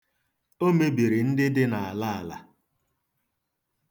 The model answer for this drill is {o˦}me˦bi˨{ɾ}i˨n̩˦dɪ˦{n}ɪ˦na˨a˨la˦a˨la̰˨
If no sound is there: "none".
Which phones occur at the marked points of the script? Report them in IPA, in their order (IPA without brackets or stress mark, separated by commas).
o˦, ɾ, d